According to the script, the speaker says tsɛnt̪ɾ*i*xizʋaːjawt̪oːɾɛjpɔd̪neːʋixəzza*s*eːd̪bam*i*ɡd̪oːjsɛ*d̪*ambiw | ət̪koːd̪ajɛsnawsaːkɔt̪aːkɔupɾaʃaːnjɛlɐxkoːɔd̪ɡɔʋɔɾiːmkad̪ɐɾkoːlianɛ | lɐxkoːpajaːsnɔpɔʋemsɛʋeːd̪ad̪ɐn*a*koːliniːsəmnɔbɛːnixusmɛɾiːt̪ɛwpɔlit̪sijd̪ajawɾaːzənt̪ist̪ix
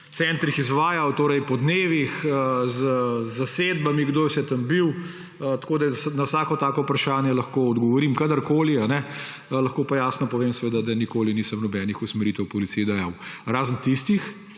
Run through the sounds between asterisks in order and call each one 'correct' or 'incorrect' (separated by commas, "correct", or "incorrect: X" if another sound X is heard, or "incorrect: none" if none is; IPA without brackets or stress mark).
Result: correct, correct, correct, incorrect: t̪, incorrect: i